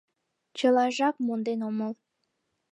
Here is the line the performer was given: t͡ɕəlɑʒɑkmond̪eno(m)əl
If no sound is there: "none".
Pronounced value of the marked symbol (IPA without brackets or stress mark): m